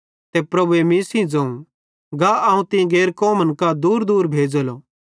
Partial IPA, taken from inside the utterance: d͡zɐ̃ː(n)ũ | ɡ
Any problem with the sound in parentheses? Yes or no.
yes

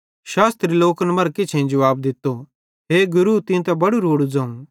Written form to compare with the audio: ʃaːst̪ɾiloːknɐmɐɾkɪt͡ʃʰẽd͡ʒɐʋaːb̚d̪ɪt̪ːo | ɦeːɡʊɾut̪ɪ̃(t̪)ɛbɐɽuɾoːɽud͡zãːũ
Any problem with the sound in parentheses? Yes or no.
no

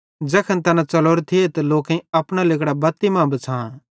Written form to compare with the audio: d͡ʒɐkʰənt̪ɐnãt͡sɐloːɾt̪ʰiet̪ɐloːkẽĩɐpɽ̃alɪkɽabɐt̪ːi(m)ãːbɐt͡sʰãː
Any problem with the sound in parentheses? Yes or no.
no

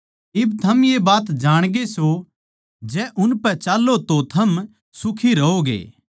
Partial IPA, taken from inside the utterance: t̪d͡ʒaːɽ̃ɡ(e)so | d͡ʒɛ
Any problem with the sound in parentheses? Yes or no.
no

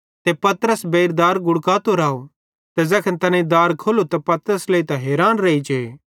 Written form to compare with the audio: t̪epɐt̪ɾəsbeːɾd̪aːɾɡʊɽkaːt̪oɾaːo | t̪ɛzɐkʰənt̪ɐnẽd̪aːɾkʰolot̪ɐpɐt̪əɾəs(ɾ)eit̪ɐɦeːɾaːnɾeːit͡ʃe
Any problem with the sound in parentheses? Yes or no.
yes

